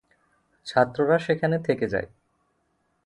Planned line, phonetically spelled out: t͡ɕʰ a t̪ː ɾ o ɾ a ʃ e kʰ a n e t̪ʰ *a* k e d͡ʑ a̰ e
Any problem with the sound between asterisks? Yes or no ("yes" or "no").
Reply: yes